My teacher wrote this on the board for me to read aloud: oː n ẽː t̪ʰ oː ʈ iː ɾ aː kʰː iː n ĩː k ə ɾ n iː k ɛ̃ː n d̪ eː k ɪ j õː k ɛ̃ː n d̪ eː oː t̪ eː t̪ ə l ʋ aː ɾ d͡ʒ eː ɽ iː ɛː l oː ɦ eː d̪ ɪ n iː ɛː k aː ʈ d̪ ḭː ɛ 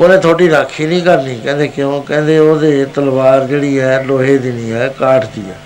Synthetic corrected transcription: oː n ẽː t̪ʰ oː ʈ iː ɾ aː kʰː iː n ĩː k ə ɾ n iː k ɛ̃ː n d̪ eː k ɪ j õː k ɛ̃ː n d̪ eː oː d̪ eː t̪ ə l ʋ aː ɾ d͡ʒ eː ɽ iː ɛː l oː ɦ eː d̪ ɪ n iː ɛː k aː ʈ d̪ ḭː ɛ